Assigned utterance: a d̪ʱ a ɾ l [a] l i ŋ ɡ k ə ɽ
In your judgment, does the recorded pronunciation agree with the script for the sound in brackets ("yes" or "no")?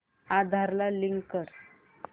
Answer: yes